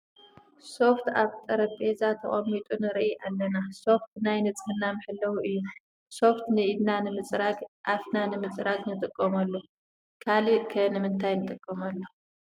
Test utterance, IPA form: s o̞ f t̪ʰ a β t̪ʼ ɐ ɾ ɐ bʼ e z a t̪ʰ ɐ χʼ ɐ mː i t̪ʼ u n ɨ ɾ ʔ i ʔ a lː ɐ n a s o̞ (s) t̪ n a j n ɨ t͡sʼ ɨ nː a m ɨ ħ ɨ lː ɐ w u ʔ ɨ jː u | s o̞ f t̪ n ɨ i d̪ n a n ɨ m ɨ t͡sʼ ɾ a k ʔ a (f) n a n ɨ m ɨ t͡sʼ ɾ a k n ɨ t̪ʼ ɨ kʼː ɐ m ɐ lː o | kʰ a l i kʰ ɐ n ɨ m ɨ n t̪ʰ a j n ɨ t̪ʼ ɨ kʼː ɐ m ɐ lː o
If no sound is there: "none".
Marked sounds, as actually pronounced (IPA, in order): f, f

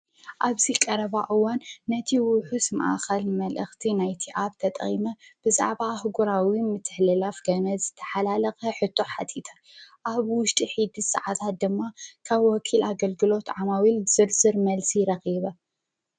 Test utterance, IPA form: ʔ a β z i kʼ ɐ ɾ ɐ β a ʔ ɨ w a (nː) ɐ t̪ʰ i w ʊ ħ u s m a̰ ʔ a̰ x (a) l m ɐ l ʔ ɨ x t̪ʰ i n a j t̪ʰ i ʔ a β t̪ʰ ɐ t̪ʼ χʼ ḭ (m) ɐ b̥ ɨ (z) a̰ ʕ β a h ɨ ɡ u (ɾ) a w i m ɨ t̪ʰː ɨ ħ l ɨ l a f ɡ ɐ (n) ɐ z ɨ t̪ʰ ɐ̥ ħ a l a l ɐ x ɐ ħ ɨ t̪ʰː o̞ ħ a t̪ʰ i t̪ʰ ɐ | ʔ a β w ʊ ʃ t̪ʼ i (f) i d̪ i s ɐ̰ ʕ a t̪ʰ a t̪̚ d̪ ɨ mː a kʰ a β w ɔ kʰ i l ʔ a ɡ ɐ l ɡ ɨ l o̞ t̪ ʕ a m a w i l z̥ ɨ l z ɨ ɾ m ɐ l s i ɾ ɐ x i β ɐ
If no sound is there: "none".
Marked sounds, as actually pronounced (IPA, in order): nː, ɐ, m, z, ɾ, n, ħ

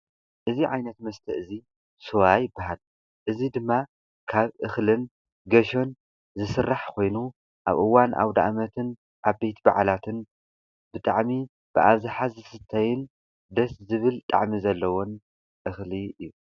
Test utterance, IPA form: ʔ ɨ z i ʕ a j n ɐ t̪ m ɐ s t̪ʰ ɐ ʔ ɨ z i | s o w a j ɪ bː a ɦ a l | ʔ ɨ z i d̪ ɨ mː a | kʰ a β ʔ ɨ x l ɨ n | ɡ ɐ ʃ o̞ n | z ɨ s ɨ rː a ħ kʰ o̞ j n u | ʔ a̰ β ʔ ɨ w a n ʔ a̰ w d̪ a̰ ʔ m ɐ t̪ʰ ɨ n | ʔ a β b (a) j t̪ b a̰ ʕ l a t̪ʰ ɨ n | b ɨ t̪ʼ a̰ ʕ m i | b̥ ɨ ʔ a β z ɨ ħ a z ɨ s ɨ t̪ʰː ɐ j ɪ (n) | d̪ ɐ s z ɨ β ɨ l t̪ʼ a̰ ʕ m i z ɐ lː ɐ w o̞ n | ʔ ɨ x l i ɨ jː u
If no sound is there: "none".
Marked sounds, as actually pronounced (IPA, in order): e, n

